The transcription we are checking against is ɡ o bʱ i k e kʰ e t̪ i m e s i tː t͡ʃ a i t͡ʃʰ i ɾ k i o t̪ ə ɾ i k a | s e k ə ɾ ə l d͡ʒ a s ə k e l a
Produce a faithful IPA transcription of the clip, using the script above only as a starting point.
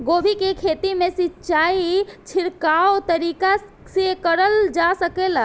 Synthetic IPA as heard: ɡ o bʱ i k e kʰ e t̪ i m e s i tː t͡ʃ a i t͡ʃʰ i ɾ k a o t̪ ə ɾ i k a | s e k ə ɾ ə l d͡ʒ a s ə k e l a